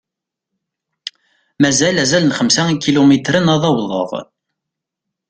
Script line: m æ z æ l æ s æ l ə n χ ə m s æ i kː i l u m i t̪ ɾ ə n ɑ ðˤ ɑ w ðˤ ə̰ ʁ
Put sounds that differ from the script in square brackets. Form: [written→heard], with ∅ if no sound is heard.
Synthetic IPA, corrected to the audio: m æ z æ l æ [s→z] æ l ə n χ ə m s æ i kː i l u m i t̪ ɾ ə n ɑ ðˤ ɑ w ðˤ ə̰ ʁ

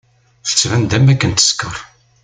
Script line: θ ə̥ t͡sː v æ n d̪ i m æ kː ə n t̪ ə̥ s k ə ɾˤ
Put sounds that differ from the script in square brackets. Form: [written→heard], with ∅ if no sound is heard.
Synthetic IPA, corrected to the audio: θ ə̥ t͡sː v æ n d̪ [i→æ] m æ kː ə n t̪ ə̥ s k ə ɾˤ

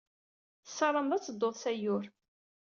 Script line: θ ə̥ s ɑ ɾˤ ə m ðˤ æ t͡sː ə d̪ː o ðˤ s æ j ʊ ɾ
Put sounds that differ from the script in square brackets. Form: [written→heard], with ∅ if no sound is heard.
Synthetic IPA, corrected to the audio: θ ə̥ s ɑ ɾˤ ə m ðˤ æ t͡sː ə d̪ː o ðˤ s æ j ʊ ɾ

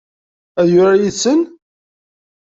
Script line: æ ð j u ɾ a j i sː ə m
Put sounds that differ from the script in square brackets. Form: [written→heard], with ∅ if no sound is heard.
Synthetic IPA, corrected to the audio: æ ð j [u→ʊ] ɾ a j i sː ə [m→n]

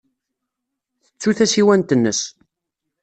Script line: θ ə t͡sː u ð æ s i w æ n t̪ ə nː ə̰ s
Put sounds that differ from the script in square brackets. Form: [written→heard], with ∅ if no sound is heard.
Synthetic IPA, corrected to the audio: θ ə t͡sː u [ð→θ] æ s i w æ n t̪ ə nː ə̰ s

